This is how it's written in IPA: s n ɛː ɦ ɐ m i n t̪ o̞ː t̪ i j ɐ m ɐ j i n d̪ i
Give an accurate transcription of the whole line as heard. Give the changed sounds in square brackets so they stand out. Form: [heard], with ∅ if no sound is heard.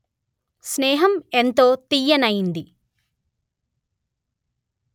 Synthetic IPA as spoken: s n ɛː ɦ ɐ m [e] n t̪ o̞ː t̪ i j ɐ [n] ɐ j i n d̪ i